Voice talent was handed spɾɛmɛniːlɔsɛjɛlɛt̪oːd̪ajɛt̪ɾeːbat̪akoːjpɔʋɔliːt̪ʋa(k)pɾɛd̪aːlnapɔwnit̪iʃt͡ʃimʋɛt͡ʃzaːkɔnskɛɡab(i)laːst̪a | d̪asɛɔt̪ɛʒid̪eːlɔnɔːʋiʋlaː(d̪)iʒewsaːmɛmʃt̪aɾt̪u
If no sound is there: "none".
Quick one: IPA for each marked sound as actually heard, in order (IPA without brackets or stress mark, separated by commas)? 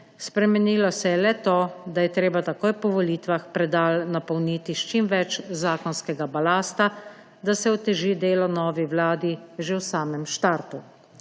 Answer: x, a, d̪